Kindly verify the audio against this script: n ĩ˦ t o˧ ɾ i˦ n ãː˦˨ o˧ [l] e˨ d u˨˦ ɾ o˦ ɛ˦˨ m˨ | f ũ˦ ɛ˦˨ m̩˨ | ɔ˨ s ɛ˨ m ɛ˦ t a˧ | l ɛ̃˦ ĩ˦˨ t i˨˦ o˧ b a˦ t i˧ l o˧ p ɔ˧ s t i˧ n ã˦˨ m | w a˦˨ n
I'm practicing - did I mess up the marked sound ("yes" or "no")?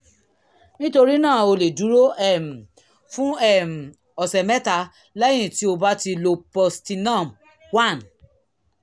no